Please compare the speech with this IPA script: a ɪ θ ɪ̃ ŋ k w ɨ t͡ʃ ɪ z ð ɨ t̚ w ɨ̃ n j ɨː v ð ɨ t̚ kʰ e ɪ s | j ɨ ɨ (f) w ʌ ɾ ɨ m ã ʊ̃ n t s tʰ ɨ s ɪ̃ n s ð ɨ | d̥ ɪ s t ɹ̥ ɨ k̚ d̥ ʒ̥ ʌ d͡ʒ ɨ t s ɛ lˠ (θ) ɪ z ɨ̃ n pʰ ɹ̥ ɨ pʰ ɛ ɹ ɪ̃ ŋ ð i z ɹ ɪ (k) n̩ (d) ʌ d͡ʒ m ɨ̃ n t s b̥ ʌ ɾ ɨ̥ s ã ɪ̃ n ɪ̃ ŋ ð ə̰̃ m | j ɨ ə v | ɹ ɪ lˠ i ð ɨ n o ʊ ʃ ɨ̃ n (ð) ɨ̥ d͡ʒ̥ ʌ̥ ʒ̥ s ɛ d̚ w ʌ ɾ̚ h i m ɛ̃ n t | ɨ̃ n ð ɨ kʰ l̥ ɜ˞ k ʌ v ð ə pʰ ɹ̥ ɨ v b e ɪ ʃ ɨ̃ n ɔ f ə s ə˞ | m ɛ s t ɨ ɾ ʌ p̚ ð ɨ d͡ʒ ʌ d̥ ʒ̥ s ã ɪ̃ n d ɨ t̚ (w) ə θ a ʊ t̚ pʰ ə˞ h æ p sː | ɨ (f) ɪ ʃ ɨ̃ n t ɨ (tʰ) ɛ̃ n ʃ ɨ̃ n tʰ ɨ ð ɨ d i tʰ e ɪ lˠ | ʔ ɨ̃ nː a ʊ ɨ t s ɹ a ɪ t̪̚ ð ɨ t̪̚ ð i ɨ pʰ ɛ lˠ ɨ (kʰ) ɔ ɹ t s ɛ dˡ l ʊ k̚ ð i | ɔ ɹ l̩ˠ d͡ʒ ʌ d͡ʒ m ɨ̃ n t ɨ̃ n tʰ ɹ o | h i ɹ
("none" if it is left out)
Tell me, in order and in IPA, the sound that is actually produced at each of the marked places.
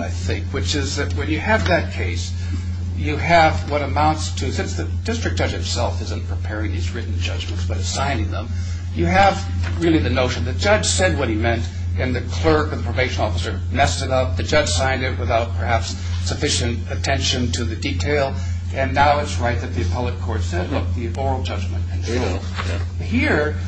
v, f, ʔ, d͡ʒ, ð, w, f, tʰ, kʰ

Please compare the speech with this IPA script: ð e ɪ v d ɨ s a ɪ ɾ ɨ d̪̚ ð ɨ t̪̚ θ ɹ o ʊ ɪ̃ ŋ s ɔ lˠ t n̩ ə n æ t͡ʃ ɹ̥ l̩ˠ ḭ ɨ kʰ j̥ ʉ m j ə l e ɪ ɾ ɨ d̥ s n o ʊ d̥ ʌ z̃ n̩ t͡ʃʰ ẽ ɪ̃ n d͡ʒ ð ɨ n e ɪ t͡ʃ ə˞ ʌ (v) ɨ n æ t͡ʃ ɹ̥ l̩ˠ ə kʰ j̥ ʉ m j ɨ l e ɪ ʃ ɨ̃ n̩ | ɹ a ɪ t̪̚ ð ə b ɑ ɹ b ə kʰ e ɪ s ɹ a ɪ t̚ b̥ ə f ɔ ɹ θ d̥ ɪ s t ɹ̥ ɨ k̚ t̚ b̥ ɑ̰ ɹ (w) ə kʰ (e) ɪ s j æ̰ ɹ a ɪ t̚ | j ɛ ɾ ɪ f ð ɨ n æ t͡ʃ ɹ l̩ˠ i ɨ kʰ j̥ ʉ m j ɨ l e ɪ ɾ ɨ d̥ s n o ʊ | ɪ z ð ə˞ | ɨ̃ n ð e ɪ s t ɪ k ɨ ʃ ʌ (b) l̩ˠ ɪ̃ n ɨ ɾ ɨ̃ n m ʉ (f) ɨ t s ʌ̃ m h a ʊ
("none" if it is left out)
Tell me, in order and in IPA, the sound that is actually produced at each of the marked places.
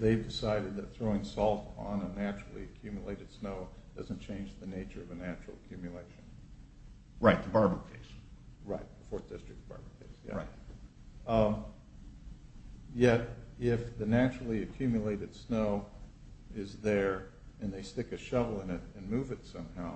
v, b, e, v, v

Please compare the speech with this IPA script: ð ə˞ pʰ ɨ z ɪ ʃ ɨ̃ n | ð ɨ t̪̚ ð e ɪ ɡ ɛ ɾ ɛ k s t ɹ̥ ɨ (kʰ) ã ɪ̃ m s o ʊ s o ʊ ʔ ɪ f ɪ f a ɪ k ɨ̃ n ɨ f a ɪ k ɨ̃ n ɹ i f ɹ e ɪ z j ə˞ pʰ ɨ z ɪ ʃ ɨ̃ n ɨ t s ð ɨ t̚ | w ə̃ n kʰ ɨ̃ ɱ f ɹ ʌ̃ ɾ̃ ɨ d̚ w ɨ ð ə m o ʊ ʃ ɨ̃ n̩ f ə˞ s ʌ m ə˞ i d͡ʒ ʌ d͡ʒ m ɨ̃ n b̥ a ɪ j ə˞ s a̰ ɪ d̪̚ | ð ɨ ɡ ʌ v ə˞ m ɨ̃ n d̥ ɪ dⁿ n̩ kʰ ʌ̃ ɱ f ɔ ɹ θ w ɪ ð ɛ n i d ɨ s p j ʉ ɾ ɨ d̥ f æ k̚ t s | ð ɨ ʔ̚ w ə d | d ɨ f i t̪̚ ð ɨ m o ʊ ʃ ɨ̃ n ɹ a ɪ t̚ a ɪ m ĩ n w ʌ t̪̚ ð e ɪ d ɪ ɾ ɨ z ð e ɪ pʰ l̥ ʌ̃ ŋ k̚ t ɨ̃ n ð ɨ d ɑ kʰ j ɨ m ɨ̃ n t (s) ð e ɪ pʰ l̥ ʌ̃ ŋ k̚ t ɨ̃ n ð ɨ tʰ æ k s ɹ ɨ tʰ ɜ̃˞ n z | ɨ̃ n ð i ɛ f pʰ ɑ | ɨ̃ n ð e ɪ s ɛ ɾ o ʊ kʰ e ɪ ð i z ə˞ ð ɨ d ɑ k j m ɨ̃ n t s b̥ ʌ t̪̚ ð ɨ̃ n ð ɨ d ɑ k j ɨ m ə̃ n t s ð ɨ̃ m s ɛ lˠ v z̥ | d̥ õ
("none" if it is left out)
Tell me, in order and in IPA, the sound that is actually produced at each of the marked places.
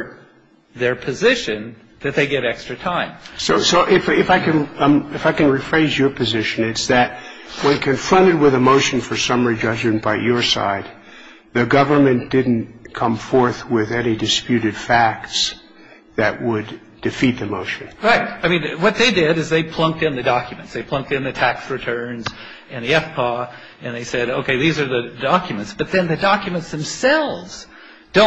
tʰ, s

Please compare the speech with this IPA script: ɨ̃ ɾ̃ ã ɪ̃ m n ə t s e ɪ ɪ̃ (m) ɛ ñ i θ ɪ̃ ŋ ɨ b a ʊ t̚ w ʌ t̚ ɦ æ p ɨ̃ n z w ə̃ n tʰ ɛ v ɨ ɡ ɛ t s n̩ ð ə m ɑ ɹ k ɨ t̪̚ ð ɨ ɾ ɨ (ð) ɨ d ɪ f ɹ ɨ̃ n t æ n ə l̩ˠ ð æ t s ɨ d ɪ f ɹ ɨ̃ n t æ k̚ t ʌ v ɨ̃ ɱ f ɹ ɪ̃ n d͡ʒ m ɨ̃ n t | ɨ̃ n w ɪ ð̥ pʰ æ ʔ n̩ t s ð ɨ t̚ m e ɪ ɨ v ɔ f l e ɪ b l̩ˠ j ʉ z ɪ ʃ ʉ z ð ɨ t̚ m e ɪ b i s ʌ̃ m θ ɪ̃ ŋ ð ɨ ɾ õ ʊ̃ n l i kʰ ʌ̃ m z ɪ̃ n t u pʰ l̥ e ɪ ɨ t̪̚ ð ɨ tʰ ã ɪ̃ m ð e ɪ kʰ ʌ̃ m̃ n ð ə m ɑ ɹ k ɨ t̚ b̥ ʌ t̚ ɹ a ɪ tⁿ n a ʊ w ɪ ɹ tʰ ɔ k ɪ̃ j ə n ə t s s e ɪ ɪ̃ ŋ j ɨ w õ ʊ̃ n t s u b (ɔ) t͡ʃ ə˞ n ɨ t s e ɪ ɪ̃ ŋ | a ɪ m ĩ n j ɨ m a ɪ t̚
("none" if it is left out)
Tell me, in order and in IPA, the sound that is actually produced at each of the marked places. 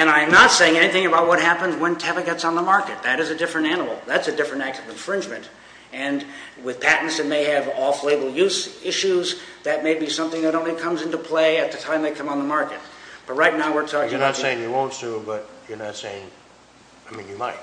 ŋ, z, ʌ

